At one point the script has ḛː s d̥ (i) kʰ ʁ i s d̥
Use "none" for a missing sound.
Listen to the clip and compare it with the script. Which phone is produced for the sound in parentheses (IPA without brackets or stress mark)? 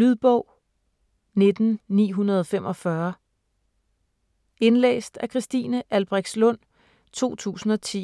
æ